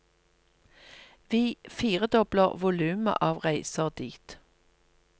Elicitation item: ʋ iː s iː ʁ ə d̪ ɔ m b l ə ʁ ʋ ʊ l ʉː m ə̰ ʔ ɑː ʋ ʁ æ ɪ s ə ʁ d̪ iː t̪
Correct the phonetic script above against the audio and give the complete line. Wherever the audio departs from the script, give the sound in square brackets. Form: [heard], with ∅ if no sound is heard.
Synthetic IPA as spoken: ʋ iː [f] iː ʁ ə d̪ ɔ [∅] b l ə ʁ ʋ ʊ l ʉː m ə̰ ʔ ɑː ʋ ʁ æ ɪ s ə ʁ d̪ iː t̪